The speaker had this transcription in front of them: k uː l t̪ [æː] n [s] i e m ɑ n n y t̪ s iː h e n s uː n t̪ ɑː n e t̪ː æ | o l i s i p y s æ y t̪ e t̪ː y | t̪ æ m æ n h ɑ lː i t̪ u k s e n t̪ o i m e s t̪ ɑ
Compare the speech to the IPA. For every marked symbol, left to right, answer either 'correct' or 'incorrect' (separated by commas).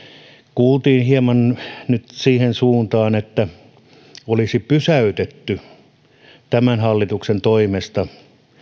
incorrect, incorrect